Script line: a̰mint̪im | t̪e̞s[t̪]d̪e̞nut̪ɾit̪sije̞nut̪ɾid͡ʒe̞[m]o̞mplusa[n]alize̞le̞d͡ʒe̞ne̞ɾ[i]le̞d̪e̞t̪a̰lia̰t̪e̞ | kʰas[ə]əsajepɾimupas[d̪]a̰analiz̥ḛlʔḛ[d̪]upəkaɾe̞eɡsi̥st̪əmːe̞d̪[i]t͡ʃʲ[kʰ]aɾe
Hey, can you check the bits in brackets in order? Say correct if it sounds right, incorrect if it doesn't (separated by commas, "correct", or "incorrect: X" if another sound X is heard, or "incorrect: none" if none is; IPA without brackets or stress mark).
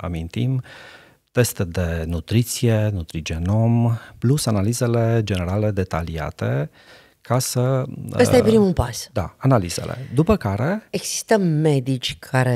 correct, incorrect: n, correct, incorrect: a, correct, correct, correct, correct, correct